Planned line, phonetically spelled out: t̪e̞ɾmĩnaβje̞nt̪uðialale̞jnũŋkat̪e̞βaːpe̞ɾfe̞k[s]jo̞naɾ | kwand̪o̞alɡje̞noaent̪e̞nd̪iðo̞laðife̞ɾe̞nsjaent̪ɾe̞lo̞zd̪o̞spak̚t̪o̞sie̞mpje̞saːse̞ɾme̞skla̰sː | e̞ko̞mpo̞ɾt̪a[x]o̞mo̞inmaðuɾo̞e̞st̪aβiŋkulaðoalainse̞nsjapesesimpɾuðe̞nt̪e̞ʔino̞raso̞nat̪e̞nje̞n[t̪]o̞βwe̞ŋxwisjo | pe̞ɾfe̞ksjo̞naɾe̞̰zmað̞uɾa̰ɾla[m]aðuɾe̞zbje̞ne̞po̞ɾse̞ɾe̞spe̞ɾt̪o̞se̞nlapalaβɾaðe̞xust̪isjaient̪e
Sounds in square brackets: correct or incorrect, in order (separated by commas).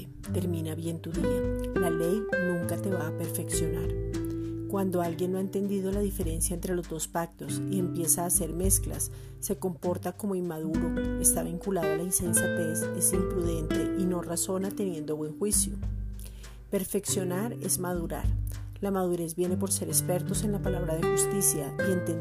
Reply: correct, incorrect, incorrect, correct